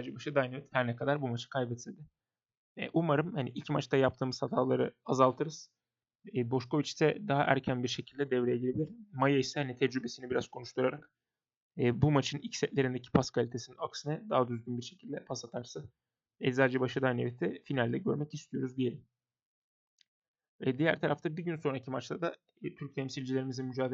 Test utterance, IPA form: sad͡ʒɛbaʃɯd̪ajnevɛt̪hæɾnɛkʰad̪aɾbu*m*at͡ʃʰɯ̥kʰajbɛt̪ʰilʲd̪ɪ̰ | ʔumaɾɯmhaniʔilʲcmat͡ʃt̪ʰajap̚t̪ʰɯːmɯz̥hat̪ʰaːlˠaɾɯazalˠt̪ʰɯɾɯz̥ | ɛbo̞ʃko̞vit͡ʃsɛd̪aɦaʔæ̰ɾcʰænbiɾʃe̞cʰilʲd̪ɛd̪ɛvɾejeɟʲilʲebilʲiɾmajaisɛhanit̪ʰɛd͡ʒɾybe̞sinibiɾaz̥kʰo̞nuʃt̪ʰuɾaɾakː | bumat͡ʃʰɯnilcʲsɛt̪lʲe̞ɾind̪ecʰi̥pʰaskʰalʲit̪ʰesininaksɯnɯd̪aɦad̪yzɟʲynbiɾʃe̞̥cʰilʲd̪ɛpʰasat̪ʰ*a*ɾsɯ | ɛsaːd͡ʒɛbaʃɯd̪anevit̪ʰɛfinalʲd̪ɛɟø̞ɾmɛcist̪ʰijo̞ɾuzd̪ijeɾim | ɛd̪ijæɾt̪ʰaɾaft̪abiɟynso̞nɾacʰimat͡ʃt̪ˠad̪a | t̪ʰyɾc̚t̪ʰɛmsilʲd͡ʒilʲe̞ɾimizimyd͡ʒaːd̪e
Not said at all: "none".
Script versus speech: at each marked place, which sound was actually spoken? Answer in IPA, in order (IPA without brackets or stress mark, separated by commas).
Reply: m, a